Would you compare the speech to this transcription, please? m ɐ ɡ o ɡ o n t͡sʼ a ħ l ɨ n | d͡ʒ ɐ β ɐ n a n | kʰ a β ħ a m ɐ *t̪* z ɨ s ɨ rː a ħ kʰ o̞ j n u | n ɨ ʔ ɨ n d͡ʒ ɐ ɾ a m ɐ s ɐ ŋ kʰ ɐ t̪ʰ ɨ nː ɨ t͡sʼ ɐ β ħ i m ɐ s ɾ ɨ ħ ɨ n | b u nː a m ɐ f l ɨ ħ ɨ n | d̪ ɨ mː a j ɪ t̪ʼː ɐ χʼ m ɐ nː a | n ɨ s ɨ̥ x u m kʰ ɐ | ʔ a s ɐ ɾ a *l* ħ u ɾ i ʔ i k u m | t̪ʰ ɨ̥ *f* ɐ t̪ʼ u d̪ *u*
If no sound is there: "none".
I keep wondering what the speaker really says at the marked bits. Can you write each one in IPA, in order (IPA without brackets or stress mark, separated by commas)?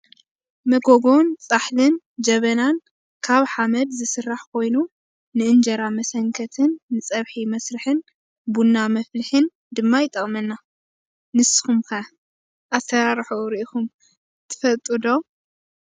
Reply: d̪, ɾ, f, o